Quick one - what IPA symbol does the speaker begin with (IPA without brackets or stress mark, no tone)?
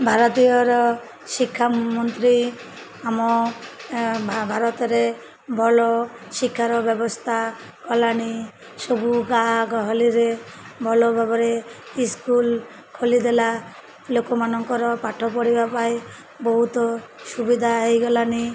bʱ